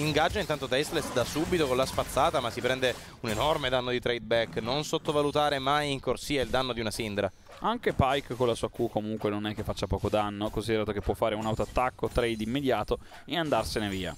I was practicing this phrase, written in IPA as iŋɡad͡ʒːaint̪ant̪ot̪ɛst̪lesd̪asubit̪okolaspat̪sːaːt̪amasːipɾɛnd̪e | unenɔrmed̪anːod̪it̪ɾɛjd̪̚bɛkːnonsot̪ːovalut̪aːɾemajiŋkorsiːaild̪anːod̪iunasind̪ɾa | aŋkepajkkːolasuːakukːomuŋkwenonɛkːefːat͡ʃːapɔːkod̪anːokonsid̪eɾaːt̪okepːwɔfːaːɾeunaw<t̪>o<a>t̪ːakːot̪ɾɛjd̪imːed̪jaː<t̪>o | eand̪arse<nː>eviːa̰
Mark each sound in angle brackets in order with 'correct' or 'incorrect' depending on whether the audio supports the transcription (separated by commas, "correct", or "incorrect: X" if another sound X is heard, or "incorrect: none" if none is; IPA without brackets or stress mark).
correct, correct, correct, incorrect: n